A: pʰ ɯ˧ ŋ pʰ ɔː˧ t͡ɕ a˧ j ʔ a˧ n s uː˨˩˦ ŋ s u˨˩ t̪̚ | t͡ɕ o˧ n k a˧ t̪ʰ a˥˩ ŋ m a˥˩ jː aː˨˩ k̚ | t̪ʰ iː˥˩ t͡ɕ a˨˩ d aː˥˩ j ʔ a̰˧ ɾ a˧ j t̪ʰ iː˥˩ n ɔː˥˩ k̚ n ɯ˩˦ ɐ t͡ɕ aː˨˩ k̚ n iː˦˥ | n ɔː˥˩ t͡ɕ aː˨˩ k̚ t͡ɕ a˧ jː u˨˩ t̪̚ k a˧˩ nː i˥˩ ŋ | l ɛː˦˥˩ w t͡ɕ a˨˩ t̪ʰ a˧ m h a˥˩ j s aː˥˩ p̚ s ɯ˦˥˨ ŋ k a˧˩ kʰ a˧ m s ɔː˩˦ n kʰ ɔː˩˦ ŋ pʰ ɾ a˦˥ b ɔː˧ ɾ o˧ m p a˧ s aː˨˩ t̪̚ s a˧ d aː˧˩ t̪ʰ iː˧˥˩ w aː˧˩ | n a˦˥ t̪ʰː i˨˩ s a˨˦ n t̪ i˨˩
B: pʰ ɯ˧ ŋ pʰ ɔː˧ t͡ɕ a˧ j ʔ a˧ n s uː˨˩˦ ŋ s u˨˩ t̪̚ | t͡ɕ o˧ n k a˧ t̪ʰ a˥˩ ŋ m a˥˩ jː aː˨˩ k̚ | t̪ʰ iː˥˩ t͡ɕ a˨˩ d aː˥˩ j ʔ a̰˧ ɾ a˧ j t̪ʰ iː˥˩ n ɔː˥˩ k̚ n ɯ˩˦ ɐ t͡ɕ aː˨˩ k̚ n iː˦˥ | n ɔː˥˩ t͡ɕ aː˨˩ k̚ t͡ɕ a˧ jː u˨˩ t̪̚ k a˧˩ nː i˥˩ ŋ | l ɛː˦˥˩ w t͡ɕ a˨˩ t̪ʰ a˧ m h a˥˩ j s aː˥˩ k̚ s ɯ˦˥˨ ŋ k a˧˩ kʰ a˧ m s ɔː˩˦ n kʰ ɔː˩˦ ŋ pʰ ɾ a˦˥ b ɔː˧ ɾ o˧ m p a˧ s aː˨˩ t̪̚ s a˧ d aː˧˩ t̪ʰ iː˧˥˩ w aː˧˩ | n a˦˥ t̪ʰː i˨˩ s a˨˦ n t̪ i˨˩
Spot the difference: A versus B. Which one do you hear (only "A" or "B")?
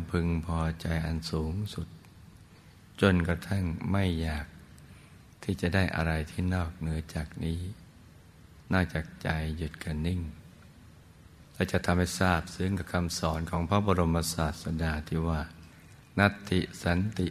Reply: A